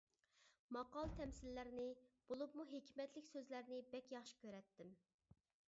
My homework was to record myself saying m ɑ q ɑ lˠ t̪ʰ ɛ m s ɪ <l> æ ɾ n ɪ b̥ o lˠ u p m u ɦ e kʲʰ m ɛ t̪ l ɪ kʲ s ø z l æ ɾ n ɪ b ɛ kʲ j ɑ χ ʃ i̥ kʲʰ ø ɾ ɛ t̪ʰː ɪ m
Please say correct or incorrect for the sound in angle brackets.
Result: incorrect: lː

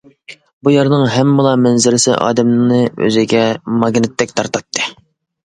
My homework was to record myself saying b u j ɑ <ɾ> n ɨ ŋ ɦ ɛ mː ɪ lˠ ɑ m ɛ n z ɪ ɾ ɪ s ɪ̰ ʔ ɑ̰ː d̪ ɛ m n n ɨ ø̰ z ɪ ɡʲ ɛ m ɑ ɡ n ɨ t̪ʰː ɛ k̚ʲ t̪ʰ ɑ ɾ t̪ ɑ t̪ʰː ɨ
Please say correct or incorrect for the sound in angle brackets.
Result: correct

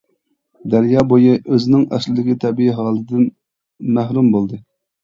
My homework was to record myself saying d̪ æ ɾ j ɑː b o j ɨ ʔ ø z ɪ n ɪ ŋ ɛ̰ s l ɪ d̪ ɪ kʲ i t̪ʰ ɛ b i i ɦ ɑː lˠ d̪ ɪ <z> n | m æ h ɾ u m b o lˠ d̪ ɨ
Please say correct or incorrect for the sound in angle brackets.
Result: incorrect: none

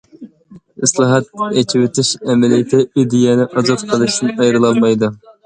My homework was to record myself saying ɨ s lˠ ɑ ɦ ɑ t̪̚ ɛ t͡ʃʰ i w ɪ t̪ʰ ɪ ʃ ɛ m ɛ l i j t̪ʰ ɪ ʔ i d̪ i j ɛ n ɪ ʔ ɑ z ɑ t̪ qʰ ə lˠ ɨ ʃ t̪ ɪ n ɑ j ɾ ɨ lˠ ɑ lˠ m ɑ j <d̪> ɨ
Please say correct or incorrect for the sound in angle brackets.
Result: correct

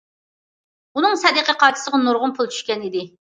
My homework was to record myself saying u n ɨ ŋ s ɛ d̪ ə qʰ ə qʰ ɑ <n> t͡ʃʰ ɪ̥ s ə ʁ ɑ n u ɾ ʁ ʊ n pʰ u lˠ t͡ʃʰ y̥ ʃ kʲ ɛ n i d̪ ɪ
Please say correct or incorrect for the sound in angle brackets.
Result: incorrect: none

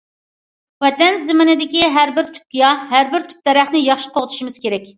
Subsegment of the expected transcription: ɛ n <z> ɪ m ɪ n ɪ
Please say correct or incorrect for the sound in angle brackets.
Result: correct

